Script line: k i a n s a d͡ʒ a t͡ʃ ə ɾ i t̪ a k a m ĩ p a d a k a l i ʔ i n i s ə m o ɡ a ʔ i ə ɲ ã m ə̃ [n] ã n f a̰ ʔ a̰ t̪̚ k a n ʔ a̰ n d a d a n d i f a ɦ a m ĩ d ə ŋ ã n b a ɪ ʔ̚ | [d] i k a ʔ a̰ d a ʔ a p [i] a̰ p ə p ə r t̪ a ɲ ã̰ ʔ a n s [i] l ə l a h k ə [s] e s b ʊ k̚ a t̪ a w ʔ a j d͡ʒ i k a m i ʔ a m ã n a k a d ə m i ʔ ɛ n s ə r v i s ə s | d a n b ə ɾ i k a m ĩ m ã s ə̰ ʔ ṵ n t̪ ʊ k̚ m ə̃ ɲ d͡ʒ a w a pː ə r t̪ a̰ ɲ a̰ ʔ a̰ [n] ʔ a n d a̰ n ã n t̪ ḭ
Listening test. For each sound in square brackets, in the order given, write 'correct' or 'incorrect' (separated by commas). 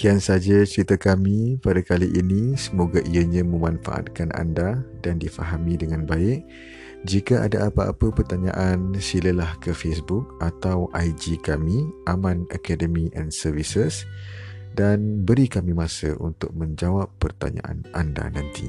incorrect, incorrect, incorrect, correct, incorrect, correct